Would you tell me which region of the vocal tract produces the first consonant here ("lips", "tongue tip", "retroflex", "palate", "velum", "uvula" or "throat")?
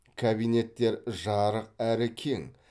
velum